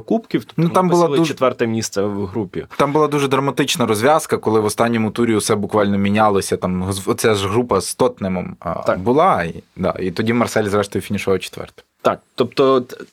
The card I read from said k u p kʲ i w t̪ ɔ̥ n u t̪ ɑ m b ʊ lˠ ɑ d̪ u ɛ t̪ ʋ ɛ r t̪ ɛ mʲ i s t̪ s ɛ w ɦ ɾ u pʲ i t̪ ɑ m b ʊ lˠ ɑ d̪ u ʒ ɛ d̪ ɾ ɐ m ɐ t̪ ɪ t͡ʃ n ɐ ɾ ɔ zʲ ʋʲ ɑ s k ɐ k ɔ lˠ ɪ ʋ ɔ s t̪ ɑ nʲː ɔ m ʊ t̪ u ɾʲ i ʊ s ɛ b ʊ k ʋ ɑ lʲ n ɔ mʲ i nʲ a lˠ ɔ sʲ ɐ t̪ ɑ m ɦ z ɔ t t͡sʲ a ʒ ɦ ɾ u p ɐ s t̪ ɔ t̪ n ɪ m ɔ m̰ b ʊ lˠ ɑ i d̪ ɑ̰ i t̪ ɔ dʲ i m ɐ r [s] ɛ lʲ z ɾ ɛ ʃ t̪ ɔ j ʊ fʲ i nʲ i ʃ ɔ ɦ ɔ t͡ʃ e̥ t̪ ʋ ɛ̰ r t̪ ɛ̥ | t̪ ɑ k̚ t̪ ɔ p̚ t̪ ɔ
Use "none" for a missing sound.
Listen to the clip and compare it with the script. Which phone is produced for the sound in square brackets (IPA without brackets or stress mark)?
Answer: s